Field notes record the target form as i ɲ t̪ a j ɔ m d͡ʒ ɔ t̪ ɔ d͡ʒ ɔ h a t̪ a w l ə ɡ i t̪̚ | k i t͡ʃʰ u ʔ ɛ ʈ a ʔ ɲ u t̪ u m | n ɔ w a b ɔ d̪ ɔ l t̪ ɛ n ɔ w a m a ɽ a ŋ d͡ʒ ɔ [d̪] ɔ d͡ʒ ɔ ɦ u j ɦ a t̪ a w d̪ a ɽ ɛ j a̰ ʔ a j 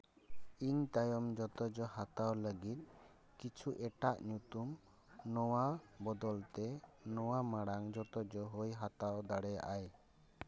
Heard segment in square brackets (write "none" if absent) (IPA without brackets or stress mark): t̪